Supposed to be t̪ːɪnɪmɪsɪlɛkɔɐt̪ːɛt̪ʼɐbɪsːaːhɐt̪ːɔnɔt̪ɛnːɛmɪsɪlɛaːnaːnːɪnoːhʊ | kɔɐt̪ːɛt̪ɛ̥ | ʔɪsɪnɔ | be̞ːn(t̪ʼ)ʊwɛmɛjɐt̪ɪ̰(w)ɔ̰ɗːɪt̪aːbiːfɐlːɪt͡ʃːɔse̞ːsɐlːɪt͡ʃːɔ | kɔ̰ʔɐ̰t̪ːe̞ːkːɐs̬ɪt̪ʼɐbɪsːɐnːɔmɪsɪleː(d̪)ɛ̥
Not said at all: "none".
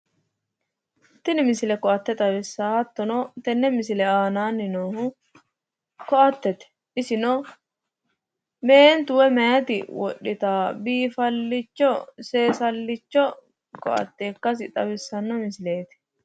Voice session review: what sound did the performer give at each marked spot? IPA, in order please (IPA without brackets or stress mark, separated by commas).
t̪, w, t̪